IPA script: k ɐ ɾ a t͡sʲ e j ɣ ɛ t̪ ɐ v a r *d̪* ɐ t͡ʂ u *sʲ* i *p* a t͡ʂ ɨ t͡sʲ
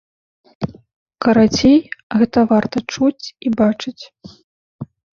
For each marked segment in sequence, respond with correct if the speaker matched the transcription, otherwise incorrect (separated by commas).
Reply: incorrect, incorrect, incorrect